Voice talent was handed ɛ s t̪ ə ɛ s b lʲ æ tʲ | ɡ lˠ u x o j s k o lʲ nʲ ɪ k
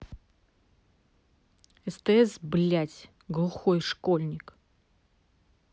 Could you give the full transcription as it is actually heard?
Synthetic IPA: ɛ s t̪ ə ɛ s b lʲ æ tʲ | ɡ lˠ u x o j ʂ k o lʲ nʲ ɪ k